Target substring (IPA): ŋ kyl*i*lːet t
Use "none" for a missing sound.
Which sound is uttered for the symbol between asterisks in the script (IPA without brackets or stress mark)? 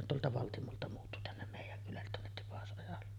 æ